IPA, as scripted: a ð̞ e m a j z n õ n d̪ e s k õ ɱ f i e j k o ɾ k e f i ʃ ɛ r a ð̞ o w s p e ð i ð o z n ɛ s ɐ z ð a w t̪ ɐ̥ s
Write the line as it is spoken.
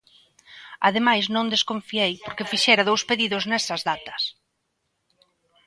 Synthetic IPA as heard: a ð̞ e m a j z n õ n d̪ e s k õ ɱ f i e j p o ɾ k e f i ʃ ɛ ɾ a ð̞ o w s p e ð i ð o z n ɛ s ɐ z ð a t̪ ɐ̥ s